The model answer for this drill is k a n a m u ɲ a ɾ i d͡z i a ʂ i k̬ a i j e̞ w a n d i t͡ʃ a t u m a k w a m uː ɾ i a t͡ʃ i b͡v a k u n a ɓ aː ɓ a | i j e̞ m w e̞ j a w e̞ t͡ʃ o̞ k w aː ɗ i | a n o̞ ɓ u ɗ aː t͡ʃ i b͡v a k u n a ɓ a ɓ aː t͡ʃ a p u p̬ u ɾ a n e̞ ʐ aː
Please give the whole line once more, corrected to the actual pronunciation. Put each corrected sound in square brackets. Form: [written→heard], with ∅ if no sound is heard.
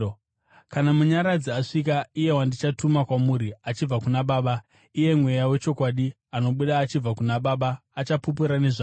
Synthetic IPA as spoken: k a n a m u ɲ a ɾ [i→a] d͡z i a ʂ i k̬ a i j e̞ w a n d i t͡ʃ a t u m a k w a m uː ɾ i a t͡ʃ i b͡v a k u n a ɓ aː ɓ a | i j e̞ m w e̞ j a w e̞ t͡ʃ o̞ k w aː ɗ i | a n o̞ ɓ u ɗ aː t͡ʃ i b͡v a k u n a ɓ a ɓ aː t͡ʃ a p u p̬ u ɾ a n e̞ ʐ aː